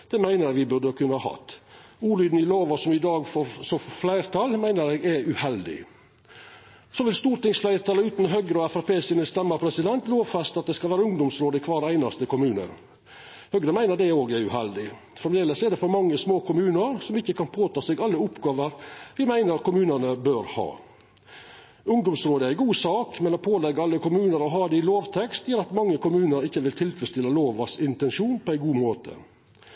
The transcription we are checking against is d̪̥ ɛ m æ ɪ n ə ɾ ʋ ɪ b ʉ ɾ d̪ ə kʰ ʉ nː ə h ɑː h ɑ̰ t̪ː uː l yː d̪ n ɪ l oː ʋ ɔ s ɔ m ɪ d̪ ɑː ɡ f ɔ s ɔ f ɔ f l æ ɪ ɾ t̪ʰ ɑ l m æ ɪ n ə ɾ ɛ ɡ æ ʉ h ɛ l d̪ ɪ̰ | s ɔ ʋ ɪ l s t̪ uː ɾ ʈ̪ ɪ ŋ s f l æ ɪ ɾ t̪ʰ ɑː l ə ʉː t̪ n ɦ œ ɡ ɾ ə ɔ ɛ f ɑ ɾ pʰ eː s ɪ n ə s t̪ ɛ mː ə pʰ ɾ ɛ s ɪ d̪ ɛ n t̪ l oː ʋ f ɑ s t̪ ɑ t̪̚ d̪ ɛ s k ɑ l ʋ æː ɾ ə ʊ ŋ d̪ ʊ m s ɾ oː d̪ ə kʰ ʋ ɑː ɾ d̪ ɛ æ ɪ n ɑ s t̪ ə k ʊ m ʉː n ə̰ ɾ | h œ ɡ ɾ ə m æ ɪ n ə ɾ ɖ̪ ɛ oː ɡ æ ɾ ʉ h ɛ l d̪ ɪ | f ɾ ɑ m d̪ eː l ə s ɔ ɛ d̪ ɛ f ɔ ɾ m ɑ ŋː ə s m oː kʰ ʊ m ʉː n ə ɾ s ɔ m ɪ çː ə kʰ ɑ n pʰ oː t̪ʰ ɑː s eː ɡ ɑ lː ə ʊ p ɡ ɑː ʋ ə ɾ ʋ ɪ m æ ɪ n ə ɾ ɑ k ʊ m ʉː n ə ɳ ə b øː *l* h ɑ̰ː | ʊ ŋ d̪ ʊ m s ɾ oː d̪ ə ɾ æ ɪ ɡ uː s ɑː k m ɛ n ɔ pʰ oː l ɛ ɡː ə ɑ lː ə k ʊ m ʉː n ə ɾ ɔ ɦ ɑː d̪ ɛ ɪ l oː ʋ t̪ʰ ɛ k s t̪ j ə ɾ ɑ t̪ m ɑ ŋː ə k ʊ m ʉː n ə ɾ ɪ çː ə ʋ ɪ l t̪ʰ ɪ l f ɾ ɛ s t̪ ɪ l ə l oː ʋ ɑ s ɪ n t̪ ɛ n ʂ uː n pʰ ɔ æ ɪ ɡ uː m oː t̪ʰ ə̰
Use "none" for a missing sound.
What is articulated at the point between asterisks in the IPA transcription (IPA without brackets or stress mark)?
ɾ